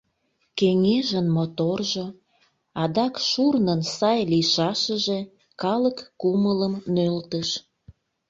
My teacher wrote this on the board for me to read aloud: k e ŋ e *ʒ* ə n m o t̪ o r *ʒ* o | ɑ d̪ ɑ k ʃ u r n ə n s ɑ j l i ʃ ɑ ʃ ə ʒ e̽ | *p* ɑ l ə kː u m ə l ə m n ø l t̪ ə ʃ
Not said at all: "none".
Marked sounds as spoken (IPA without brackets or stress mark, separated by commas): ʒ, ʒ, k